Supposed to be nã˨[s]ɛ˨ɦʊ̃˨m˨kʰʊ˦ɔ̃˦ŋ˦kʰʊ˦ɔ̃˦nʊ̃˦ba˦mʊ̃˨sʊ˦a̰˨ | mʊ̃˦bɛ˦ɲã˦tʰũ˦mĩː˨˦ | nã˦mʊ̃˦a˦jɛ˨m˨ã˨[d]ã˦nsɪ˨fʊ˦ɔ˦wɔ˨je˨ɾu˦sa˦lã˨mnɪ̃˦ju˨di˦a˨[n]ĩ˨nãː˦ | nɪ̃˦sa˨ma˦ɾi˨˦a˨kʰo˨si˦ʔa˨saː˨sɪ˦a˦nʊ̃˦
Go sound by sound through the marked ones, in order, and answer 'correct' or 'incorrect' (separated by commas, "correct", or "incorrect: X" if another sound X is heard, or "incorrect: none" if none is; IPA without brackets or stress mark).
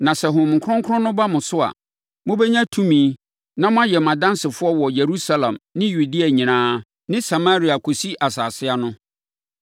correct, correct, incorrect: ɲ